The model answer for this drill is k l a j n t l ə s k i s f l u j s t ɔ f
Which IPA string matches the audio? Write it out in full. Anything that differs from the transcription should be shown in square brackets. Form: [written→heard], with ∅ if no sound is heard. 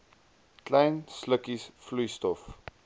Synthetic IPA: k l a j n [t→s] l ə [s→∅] k i s f l u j s t ɔ f